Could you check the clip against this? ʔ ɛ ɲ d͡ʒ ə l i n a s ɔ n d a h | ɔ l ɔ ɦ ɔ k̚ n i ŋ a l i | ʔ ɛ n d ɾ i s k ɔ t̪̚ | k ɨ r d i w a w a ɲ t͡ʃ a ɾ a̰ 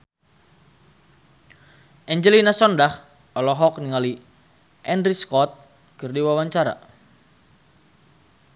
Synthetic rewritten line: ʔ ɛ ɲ d͡ʒ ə l i n a s ɔ n d a h | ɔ l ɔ ɦ ɔ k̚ n i ŋ a l i | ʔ ɛ n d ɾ i s k ɔ t̪̚ | k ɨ r d i w a w a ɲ t͡ʃ a ɾ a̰